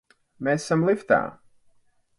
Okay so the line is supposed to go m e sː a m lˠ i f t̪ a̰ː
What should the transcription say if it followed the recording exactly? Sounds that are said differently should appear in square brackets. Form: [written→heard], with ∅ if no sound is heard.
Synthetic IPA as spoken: m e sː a m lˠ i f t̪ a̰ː